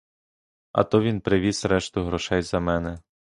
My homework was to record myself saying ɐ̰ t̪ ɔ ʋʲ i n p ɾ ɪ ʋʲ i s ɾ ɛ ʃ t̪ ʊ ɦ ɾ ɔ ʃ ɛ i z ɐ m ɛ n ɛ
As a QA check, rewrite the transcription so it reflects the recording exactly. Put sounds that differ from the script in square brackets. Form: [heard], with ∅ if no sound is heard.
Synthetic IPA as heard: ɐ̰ t̪ ɔ ʋʲ i n p ɾ ɪ ʋʲ i s ɾ ɛ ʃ t̪ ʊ ɦ ɾ ɔ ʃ ɛ [j] z ɐ m ɛ n ɛ

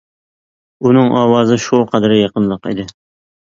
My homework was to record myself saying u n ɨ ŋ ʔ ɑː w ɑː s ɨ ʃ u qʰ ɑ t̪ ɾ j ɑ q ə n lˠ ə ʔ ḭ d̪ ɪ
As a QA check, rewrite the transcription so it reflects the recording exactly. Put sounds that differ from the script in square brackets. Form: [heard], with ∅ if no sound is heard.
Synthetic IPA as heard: u n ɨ ŋ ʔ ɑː w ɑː [z] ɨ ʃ u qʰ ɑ [d̪] ɾ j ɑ q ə n lˠ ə [q] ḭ d̪ ɪ

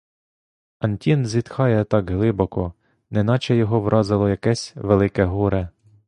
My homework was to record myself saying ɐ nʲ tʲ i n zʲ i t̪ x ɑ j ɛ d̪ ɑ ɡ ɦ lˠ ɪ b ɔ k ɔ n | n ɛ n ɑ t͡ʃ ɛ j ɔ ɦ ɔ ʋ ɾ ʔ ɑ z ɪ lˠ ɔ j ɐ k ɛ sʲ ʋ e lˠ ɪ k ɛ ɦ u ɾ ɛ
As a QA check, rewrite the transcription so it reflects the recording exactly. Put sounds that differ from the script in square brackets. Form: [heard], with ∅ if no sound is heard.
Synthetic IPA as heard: ɐ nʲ tʲ i n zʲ i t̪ x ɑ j ɛ [t̪] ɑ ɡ ɦ lˠ ɪ b ɔ k ɔ [∅] | n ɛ n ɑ t͡ʃ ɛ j ɔ ɦ ɔ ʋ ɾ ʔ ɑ z ɪ lˠ ɔ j ɐ k ɛ sʲ ʋ e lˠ ɪ k ɛ ɦ u ɾ ɛ

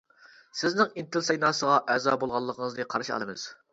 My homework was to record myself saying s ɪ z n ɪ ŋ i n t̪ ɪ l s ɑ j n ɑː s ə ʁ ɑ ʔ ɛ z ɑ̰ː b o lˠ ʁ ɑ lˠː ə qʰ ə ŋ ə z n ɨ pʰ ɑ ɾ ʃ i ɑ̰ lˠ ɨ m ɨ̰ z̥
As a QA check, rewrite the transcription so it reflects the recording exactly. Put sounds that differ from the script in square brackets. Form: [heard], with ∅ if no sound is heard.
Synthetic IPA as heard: s ɪ z n ɪ ŋ i n t̪ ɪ l s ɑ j n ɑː s ə ʁ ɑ ʔ ɛ z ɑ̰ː b o lˠ ʁ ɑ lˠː ə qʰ ə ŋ ə z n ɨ [qʰ] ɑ ɾ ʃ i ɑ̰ lˠ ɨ m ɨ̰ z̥

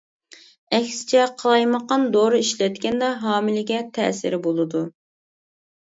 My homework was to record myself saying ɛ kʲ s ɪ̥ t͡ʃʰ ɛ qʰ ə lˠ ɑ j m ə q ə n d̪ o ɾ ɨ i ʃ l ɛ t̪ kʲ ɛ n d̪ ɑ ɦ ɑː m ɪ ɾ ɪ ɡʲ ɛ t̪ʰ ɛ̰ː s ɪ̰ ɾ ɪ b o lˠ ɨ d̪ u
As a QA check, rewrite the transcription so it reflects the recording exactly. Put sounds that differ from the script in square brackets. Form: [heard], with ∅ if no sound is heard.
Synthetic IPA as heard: ɛ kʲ s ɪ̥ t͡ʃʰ ɛ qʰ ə lˠ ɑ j m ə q [ɑ] n d̪ o ɾ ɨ i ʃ l ɛ t̪ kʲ ɛ n d̪ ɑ ɦ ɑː m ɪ [l] ɪ ɡʲ ɛ t̪ʰ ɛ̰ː s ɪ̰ ɾ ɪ b o lˠ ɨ d̪ u

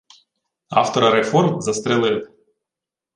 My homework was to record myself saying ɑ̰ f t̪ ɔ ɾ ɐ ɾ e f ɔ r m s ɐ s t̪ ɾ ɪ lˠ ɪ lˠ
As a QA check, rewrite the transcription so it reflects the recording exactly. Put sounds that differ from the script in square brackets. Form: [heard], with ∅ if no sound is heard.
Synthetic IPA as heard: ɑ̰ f t̪ ɔ ɾ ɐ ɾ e f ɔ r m [z] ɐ s t̪ ɾ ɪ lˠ ɪ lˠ

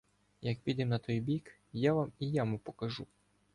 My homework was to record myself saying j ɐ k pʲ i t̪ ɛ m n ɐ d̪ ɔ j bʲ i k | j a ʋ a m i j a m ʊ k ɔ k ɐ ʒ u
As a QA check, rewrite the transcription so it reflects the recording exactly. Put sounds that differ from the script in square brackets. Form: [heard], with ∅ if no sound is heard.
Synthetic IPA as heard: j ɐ k pʲ i [d̪] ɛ m n ɐ [t̪] ɔ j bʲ i k | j a ʋ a m i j a m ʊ [p] ɔ k ɐ ʒ u

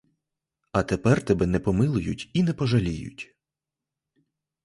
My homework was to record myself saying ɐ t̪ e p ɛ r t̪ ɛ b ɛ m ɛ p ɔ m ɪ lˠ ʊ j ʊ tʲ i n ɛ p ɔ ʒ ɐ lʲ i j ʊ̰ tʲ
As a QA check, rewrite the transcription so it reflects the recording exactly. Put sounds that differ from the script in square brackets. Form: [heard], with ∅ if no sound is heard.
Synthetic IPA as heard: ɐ t̪ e p ɛ r t̪ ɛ b ɛ [n] ɛ p ɔ m ɪ lˠ ʊ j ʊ tʲ i n ɛ p ɔ ʒ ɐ lʲ i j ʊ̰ tʲ

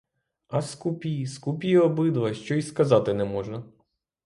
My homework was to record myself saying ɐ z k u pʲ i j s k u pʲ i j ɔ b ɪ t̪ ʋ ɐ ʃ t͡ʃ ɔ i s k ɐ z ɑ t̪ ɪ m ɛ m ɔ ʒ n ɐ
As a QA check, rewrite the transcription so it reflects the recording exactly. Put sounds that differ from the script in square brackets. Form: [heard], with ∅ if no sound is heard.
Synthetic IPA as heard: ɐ [s] k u pʲ i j s k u pʲ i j ɔ b ɪ [d̪] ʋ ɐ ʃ t͡ʃ ɔ i s k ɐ z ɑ t̪ ɪ [n] ɛ m ɔ ʒ n ɐ

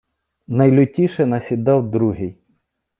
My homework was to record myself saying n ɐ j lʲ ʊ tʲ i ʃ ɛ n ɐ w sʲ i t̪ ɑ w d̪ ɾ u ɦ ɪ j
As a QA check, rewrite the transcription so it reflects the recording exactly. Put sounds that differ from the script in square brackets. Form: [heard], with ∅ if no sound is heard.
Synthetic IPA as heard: n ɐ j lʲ ʊ tʲ i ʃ ɛ n ɐ [∅] sʲ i [d̪] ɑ w d̪ ɾ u ɦ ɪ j

